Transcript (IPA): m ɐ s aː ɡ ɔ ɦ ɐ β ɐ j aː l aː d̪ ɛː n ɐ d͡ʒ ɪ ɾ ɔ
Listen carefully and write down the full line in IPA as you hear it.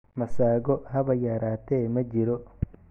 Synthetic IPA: m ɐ s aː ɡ ɔ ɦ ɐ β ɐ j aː ɾ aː t̪ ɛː m ɐ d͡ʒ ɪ ɾ ɔ